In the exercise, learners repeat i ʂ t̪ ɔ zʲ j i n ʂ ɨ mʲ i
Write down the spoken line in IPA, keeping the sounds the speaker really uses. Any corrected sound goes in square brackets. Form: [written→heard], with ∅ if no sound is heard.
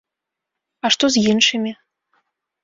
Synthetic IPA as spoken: [i→a] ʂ t̪ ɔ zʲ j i n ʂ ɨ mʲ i